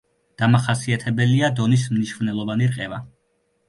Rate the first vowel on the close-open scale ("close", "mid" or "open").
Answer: open